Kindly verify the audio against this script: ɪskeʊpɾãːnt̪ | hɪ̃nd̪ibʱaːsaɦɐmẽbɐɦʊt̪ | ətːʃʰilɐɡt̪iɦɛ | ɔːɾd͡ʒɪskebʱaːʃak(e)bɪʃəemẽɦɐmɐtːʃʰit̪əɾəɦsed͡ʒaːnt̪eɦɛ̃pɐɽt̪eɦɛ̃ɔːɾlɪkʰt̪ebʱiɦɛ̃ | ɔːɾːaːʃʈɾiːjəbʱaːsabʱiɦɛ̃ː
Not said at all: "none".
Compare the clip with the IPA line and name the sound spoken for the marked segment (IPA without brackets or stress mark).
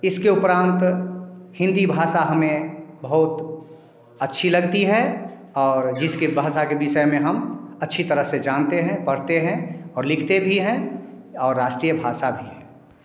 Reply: e